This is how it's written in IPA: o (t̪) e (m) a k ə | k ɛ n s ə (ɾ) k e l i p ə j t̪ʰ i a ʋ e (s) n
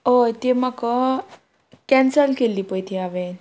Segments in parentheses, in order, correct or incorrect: correct, correct, incorrect: l, incorrect: none

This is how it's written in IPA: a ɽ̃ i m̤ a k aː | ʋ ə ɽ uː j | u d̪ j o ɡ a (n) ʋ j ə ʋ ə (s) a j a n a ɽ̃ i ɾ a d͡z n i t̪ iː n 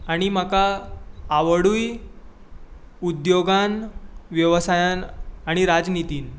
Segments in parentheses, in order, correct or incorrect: correct, correct

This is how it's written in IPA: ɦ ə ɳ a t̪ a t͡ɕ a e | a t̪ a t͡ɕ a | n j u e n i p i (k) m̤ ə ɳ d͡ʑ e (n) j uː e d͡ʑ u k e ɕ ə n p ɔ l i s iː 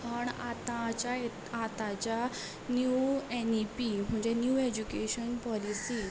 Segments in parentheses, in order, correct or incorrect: incorrect: none, correct

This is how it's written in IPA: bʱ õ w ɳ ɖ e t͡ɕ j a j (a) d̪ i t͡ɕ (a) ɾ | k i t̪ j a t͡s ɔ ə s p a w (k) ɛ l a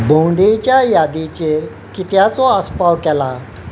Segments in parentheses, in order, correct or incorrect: correct, incorrect: e, correct

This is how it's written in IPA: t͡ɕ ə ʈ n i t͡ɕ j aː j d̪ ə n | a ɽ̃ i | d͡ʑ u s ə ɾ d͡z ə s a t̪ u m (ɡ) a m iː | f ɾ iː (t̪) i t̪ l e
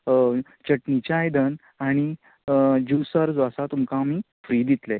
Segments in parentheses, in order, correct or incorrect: incorrect: k, incorrect: d̪

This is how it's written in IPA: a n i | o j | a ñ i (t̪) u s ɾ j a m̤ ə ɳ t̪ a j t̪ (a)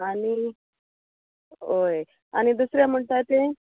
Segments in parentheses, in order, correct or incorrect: incorrect: d̪, incorrect: e

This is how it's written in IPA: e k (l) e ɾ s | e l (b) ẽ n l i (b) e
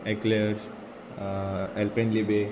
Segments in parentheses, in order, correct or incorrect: correct, incorrect: p, correct

